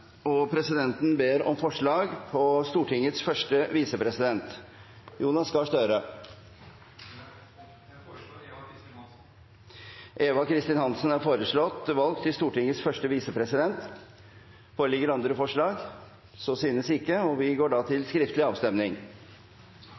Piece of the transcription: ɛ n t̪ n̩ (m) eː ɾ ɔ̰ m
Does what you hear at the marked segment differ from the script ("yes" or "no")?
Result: yes